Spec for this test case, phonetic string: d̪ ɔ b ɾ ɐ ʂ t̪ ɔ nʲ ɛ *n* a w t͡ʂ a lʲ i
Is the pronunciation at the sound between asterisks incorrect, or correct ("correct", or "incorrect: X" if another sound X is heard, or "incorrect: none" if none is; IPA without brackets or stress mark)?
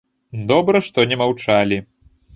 incorrect: m